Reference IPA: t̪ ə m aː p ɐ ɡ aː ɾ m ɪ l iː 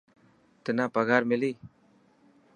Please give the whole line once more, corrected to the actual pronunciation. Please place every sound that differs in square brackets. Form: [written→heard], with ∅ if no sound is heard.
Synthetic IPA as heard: t̪ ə [m→n] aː p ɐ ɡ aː ɾ m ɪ l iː